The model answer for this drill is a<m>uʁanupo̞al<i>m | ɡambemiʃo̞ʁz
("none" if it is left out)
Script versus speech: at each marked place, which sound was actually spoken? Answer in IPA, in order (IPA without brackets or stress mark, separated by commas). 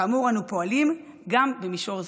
m, i